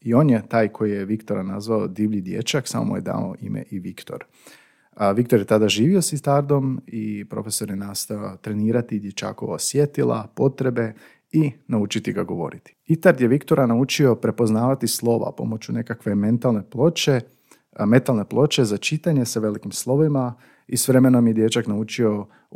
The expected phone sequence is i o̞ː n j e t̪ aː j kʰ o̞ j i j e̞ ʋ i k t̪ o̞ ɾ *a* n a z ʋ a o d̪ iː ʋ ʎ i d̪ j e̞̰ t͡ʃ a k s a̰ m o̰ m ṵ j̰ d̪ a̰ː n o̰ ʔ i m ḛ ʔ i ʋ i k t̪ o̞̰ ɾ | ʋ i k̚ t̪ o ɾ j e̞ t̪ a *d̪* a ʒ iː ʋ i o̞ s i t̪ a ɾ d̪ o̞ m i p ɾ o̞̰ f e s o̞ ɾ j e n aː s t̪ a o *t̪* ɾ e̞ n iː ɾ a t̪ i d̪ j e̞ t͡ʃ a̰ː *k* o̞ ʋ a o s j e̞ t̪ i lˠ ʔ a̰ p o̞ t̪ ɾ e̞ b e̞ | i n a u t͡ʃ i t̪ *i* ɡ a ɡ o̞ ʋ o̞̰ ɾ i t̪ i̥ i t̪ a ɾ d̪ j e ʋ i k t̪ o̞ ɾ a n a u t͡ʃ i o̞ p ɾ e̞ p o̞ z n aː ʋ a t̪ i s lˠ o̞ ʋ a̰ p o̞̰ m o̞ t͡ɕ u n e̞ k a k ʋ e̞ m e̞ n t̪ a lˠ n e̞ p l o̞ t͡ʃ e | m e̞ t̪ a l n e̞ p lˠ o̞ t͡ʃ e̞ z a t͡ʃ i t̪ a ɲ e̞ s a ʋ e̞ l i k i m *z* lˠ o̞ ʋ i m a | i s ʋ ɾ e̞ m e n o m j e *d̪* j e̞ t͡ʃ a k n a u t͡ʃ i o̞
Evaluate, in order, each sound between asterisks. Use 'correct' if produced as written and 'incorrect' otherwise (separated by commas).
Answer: correct, correct, correct, correct, correct, incorrect, correct